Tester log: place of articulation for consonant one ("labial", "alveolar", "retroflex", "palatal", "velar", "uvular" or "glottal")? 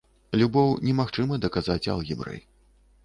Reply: alveolar